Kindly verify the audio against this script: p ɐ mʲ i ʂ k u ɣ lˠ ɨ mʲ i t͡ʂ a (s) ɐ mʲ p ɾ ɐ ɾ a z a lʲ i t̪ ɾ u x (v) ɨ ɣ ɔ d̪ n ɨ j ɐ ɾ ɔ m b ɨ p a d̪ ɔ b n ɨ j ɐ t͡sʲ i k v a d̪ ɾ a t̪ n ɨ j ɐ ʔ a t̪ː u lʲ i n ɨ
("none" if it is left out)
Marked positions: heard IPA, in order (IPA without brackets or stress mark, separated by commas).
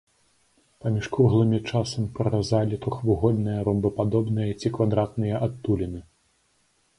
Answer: s, v